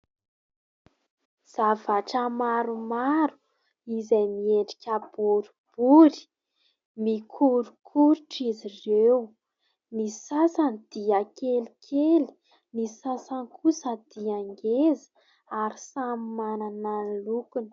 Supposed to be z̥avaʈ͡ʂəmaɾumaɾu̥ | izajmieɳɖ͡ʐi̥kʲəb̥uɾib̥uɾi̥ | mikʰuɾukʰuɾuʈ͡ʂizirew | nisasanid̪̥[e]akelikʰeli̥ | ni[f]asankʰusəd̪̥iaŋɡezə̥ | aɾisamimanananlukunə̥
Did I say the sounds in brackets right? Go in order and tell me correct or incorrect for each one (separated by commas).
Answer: incorrect, incorrect